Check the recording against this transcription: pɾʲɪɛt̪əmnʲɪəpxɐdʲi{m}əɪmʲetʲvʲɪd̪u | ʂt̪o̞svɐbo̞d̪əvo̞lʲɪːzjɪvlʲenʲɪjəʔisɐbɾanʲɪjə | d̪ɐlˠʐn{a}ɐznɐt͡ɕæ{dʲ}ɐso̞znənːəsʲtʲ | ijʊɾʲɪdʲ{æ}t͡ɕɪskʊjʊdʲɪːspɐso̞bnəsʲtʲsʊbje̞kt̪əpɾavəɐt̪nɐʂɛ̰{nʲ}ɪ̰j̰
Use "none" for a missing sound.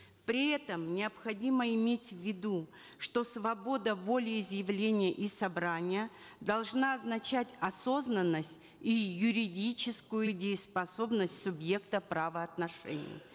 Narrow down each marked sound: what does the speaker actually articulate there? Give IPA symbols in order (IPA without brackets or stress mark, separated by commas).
m, a, tʲ, i, nʲ